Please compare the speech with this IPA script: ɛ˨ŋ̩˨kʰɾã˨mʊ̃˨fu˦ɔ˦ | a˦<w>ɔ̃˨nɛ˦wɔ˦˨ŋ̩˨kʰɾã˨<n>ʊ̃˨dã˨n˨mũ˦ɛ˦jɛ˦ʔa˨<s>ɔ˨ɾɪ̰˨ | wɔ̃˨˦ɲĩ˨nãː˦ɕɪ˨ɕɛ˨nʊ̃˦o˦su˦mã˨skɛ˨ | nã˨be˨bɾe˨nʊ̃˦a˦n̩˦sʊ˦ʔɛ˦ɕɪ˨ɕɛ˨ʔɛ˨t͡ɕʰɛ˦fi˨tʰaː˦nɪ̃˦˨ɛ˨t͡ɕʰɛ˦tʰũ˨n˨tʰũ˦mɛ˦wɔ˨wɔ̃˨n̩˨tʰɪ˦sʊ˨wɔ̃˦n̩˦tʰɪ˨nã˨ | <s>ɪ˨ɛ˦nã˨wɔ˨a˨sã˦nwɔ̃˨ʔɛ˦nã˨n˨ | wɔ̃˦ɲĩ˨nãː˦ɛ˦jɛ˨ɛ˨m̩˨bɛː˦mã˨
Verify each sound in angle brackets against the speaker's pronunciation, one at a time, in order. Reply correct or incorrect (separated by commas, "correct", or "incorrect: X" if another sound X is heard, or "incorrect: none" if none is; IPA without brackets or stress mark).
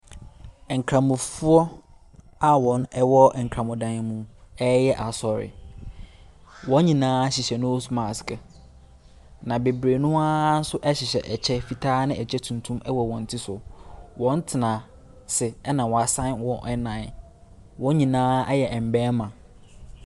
correct, incorrect: m, correct, correct